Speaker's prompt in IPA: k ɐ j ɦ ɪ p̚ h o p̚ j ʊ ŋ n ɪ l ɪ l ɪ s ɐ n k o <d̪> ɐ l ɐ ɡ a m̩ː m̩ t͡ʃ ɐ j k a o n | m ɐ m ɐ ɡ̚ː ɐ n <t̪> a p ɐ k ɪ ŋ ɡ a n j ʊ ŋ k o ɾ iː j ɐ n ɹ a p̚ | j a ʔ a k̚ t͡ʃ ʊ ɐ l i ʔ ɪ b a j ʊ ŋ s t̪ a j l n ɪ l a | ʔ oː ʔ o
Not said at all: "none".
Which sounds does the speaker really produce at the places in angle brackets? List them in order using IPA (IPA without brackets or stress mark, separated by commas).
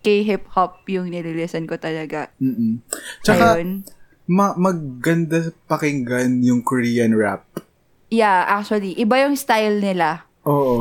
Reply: t̪, d̪